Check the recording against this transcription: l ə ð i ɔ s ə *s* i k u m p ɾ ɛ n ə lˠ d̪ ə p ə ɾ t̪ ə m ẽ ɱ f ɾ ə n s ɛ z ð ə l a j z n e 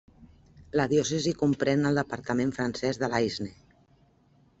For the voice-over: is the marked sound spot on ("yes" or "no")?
no